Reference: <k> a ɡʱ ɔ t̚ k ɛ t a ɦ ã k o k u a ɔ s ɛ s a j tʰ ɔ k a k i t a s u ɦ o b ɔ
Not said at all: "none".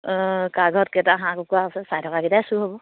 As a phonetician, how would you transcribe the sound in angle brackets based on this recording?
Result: k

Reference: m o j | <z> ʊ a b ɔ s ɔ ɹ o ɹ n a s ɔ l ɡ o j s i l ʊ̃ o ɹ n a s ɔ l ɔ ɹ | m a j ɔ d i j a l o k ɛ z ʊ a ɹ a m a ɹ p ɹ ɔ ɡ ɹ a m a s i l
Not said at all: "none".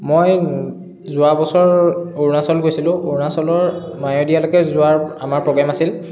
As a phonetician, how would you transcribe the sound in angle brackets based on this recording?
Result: z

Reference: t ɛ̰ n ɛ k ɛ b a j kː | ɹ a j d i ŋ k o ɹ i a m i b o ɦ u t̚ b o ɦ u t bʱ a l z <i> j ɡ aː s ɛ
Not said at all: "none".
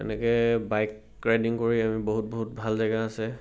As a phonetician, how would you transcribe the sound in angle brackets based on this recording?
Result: a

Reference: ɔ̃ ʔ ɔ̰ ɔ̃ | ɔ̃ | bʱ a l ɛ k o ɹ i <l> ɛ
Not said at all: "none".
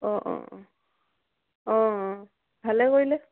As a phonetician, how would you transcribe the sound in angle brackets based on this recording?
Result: l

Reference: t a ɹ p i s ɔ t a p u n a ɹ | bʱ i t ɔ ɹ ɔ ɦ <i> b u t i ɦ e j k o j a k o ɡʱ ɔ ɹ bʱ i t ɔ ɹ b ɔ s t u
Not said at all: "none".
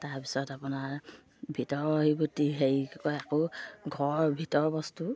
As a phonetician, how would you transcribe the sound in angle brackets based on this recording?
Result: i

